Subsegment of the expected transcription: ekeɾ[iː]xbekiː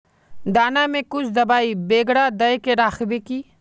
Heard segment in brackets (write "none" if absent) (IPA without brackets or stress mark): aː